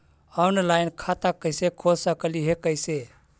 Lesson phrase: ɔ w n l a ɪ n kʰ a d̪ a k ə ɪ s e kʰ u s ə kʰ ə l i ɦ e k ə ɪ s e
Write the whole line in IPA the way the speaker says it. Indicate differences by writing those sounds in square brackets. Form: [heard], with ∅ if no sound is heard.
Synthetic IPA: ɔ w n l a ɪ n kʰ a [t̪] a k ə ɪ s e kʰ [o] s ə [k] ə l i ɦ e k ə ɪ s e